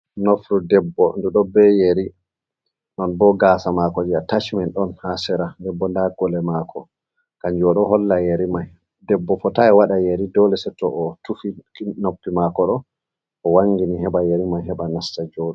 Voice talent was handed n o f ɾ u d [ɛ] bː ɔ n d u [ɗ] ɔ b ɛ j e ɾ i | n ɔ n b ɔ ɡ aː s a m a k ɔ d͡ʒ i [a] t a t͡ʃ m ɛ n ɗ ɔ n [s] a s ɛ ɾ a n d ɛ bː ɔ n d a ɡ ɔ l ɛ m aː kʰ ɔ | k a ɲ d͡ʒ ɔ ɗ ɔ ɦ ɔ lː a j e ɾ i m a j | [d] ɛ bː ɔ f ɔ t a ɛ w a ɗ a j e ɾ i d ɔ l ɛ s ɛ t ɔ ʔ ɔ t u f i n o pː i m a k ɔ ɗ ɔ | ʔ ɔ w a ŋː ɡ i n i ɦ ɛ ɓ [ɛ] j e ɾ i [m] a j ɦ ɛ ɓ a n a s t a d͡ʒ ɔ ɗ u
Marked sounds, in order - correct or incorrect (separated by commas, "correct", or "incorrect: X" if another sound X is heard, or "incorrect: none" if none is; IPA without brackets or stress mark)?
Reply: correct, correct, correct, incorrect: h, correct, incorrect: a, correct